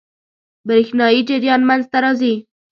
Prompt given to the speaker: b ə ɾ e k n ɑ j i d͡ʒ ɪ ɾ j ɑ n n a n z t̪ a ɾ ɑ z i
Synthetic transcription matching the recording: b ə ɾ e x n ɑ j i d͡ʒ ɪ ɾ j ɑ n m a n z t̪ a ɾ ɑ z i